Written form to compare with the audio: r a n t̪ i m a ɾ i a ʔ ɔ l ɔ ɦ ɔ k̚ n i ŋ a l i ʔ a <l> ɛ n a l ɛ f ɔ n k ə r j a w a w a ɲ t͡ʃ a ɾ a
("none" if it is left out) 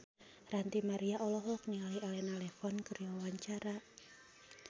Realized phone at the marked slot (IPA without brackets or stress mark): l